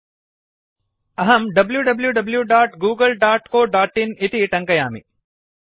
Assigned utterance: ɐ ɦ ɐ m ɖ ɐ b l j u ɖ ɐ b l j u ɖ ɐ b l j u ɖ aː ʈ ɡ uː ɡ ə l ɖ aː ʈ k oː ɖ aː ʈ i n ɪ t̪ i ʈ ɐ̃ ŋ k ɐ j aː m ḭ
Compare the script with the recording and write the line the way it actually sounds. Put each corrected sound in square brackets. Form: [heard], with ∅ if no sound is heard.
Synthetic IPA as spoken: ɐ ɦ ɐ m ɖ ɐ b l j u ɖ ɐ b l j u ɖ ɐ b l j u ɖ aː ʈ ɡ uː ɡ ə l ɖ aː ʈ k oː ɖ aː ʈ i n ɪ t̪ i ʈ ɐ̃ ŋ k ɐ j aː m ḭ